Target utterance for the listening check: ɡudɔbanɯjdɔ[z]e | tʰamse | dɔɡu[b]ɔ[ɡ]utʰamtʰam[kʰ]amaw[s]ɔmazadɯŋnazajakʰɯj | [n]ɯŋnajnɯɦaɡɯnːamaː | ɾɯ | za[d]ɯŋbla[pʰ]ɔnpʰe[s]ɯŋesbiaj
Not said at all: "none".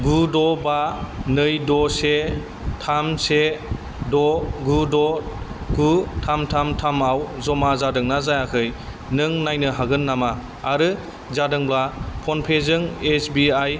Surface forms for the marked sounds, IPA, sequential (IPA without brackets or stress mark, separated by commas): s, d, ɡ, tʰ, z, n, d, pʰ, z